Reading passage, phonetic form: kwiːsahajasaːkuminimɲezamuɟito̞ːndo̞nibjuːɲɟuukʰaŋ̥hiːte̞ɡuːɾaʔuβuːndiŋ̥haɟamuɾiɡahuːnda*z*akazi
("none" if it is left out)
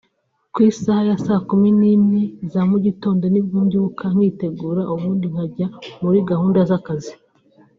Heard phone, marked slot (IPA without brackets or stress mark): z